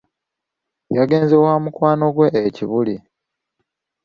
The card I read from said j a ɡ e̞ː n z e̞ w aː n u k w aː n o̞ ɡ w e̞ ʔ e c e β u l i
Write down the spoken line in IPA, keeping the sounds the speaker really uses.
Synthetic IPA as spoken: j a ɡ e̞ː n z e̞ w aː m u k w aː n o̞ ɡ w e̞ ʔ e c i β u l i